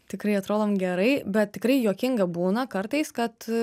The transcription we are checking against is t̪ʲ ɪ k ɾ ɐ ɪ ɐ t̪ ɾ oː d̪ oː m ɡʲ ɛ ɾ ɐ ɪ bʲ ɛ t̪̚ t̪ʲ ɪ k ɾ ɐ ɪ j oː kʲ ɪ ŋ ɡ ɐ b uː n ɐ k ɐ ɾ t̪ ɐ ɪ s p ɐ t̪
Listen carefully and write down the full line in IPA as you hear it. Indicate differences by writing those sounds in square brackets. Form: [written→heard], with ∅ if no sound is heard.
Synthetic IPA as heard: t̪ʲ ɪ k ɾ ɐ ɪ ɐ t̪ ɾ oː d̪ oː m ɡʲ ɛ ɾ ɐ ɪ bʲ ɛ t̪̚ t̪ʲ ɪ k ɾ ɐ ɪ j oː kʲ ɪ ŋ ɡ ɐ b uː n ɐ k ɐ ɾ t̪ ɐ ɪ s [p→k] ɐ t̪